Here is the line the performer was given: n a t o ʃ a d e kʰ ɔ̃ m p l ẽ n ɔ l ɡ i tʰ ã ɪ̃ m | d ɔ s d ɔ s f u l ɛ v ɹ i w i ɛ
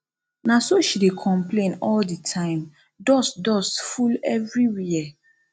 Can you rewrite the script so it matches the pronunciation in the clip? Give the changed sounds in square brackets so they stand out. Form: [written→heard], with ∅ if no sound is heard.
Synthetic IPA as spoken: n a [t→s] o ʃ [a→i] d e kʰ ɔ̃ m p l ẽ n ɔ l [ɡ→d] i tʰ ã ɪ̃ m | d ɔ s d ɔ s f u l ɛ v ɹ i w i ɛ